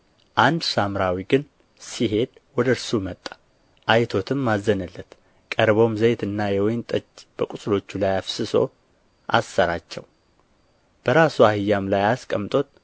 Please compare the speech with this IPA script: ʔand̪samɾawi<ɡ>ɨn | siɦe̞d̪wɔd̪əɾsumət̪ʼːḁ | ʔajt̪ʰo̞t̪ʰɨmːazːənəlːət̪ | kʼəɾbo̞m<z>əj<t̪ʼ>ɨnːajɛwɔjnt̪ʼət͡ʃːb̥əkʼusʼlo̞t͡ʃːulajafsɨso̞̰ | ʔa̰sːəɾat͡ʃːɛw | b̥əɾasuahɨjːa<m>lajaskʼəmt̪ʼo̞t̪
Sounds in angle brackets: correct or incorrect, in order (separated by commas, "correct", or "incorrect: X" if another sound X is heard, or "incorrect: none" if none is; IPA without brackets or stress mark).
correct, correct, incorrect: t̪, correct